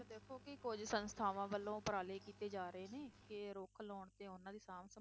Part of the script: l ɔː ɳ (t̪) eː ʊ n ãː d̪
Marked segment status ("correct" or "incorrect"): correct